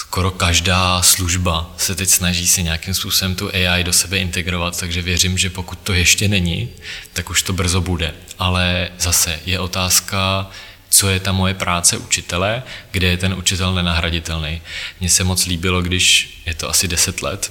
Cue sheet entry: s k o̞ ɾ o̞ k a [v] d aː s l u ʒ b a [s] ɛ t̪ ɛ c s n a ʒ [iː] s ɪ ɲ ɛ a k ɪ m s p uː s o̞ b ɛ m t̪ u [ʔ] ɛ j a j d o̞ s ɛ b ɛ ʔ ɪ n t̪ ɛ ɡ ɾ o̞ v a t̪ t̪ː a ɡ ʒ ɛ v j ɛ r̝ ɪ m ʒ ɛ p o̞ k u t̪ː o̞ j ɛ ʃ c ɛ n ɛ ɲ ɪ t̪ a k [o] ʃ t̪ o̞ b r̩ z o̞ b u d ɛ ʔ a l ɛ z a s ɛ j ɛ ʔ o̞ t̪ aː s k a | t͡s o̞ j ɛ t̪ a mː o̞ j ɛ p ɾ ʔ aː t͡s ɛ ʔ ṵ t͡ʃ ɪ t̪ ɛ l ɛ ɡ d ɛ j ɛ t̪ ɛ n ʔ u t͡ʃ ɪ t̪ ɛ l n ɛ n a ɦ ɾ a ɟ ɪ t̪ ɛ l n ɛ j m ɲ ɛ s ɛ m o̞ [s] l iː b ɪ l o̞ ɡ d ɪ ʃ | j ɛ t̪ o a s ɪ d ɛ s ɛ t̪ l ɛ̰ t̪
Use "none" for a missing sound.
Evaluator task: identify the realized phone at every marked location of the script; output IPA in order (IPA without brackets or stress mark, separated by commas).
ʒ, s, iː, ʔ, u, t͡s